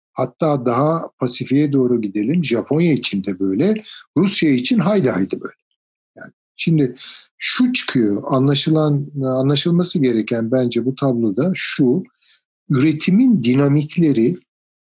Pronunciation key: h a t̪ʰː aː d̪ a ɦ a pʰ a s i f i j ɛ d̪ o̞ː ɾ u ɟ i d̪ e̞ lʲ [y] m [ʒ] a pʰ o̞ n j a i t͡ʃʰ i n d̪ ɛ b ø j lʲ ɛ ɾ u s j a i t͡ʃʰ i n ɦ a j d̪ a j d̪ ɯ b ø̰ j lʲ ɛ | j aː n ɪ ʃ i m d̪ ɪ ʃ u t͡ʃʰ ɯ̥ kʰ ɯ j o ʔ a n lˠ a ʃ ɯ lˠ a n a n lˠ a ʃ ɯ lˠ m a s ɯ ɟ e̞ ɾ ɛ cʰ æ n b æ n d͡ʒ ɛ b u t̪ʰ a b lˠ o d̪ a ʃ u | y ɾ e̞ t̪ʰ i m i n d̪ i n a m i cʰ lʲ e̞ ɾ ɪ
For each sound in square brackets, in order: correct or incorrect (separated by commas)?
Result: incorrect, correct